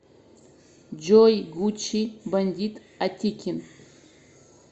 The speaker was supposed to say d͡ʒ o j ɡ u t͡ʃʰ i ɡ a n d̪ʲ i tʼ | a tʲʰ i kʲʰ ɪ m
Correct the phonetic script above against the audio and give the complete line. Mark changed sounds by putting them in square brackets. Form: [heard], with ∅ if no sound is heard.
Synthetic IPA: d͡ʒ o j ɡ u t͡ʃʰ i [b] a n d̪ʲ i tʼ | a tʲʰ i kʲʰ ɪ [n]